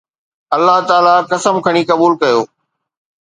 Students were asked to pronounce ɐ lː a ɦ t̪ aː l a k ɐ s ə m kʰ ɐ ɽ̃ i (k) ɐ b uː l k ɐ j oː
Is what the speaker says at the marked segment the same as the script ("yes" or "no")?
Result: yes